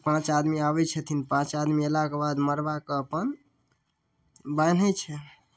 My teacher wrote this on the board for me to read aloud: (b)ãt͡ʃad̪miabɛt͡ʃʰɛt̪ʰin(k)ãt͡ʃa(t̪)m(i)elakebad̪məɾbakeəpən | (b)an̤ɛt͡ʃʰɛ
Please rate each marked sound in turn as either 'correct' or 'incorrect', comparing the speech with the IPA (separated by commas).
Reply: incorrect, incorrect, incorrect, correct, correct